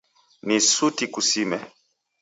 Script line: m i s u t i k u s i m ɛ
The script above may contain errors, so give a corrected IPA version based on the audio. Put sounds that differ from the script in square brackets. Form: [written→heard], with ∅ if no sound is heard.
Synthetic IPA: [m→n] i s u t i k u s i m ɛ